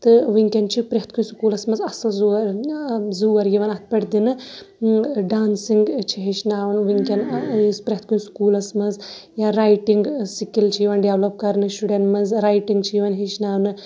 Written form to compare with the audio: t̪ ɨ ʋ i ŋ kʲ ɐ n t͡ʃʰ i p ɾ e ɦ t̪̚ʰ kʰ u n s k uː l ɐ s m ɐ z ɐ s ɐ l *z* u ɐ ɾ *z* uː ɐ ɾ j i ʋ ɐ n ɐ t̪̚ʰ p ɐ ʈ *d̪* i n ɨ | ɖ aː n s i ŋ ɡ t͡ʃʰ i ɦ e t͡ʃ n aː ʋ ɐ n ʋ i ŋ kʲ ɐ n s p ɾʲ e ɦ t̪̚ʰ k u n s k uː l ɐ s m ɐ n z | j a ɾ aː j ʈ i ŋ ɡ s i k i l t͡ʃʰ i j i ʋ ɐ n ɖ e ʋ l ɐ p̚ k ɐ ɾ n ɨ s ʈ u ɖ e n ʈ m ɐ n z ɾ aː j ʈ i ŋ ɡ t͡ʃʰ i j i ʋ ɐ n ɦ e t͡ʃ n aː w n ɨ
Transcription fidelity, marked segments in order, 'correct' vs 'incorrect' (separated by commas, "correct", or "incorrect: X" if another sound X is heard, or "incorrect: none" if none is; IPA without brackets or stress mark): correct, correct, correct